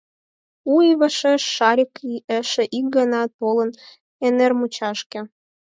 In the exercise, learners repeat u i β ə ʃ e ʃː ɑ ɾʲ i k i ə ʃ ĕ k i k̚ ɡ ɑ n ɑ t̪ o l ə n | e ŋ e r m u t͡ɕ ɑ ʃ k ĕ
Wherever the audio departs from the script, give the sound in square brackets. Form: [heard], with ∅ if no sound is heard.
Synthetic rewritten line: u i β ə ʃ e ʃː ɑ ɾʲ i k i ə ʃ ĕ [ʔ] i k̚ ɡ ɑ n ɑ t̪ o l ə n | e [n] e r m u t͡ɕ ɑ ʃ k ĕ